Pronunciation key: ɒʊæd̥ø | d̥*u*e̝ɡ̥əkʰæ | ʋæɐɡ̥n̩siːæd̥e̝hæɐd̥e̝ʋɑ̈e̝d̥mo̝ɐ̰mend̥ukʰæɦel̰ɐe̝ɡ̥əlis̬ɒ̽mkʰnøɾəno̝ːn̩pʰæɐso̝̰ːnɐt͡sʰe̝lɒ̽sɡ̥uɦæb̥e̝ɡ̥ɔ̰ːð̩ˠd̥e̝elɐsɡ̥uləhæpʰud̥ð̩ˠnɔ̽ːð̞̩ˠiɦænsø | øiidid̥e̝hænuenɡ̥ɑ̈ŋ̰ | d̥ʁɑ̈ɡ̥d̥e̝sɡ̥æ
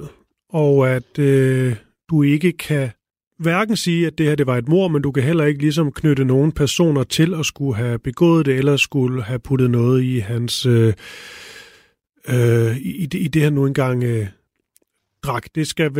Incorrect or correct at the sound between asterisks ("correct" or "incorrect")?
correct